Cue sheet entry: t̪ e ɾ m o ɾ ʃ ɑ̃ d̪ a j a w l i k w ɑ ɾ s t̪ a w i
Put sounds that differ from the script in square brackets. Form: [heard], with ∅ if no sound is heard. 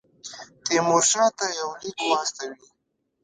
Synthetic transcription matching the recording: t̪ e [∅] m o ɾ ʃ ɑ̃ [t̪] a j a w l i k w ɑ [∅] s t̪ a w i